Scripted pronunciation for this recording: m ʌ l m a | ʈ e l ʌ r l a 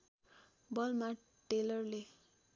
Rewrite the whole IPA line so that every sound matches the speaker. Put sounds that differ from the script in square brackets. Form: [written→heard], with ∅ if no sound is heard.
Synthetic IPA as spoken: [m→b] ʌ l m a | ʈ e l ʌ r l [a→e]